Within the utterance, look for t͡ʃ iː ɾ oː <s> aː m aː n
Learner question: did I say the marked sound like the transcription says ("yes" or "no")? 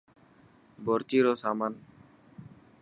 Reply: yes